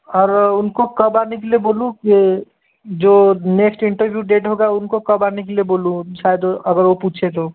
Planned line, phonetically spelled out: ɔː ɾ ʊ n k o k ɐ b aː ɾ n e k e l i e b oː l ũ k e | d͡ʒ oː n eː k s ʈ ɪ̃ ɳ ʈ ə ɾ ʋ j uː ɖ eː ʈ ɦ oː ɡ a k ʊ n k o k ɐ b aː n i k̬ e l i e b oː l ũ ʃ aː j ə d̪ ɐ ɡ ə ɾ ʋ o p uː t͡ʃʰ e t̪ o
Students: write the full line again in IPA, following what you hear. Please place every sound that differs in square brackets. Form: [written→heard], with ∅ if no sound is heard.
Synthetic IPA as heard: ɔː ɾ ʊ n k o k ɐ b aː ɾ n e k e l i e b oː l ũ k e | d͡ʒ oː n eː k s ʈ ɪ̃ ɳ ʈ ə ɾ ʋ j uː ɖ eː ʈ ɦ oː ɡ a [k→∅] ʊ n k o k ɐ b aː n [i→e] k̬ e l i e b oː l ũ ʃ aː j ə d̪ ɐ ɡ ə ɾ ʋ o p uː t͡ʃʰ e t̪ o